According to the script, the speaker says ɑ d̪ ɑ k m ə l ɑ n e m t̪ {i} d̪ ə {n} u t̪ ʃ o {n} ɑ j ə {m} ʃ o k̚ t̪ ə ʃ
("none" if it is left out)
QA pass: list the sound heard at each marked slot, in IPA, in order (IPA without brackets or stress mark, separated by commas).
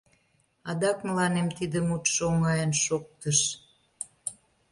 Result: i, m, ŋ, n